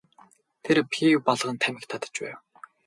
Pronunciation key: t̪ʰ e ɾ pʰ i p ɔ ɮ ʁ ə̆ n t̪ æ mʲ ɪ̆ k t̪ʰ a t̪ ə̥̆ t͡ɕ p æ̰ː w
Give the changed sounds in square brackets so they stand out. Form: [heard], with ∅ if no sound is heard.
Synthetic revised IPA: t̪ʰ e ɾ pʰ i p ɔ ɮ ʁ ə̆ n [t̪ʰ] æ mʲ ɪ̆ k t̪ʰ a t̪ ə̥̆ t͡ɕ p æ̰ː w